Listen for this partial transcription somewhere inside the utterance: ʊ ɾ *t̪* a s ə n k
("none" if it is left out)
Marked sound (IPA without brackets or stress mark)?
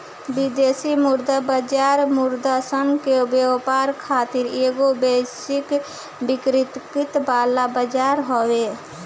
d̪